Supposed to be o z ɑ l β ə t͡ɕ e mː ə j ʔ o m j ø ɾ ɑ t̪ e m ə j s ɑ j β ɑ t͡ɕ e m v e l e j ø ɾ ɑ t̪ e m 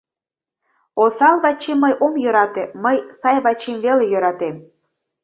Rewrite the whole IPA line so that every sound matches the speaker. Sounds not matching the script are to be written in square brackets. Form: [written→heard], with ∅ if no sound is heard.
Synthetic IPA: o [z→s] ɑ l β [ə→ɑ] t͡ɕ e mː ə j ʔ o m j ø ɾ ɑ t̪ e m ə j s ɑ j β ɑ t͡ɕ e m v e l e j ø ɾ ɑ t̪ e m